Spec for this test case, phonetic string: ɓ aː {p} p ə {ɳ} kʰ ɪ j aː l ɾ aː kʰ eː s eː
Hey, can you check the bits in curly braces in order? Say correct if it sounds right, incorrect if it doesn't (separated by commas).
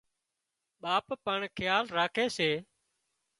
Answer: correct, correct